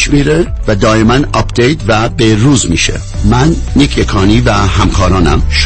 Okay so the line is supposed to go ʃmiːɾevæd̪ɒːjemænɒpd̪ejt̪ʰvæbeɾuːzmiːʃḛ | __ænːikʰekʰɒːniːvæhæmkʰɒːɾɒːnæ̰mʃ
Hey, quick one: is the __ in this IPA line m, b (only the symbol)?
m